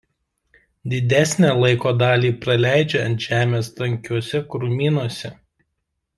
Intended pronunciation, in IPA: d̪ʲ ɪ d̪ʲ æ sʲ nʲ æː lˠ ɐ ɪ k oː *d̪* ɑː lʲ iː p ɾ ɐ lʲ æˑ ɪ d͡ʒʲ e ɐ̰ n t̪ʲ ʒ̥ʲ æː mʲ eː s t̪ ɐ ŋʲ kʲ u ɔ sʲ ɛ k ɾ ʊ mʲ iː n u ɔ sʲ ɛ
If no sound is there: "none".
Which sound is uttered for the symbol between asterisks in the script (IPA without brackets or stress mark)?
d̪